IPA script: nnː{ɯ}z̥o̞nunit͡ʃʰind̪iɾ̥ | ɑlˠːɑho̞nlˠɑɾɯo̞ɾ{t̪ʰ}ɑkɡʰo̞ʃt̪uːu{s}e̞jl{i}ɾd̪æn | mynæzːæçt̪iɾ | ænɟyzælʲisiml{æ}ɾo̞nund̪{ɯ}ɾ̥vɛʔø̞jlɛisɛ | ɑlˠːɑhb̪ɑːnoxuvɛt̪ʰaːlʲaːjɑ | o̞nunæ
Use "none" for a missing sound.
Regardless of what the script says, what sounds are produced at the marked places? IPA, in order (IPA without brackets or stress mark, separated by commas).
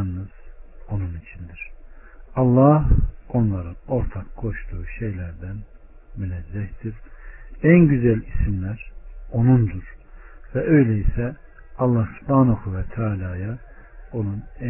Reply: ɯ, t̪ʰ, ʃ, æ, æ, u